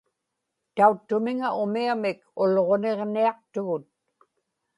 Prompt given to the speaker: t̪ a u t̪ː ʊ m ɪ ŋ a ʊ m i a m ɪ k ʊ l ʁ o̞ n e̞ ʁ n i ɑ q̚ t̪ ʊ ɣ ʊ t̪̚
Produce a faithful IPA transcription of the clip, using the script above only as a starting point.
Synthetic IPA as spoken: t̪ a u t̪ː ʊ m ɪ ŋ a ʊ m i a m ɪ k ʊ l ʁ o̞ n e̞ ʁ n i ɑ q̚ t̪ ʊ ɣ ʊ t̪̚